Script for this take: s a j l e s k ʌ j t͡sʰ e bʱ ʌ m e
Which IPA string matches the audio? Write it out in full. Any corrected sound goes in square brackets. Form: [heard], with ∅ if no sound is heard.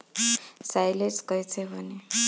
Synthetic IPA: s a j l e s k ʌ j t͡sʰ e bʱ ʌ [n] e